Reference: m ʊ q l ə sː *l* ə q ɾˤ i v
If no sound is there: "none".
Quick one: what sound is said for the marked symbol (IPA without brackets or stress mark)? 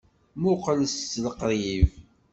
l